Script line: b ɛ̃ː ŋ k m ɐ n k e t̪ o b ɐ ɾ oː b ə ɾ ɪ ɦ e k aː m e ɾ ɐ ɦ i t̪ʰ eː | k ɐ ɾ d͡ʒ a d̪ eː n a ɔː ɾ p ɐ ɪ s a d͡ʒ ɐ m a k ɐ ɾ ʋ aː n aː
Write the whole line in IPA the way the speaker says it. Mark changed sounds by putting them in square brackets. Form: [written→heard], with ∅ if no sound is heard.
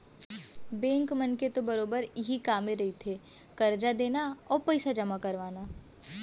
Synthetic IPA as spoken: b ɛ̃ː ŋ k m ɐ n k e t̪ o b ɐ ɾ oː b ə ɾ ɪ ɦ [e→i] k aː m e ɾ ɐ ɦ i t̪ʰ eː | k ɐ ɾ d͡ʒ a d̪ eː n a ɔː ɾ p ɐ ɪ s a d͡ʒ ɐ m a k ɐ ɾ ʋ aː n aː